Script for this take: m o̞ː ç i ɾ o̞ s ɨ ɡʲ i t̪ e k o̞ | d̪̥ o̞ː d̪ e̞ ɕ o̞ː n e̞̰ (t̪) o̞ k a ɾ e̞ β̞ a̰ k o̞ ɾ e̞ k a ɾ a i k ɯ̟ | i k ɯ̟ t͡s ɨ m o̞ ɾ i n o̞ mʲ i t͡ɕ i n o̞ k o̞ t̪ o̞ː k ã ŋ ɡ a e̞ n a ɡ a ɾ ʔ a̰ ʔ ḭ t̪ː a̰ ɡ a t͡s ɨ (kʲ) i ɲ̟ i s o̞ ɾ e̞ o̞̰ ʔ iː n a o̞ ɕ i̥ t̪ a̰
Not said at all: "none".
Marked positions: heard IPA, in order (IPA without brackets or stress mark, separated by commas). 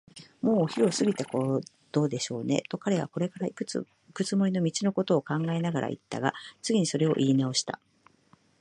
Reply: t̪, ɡʲ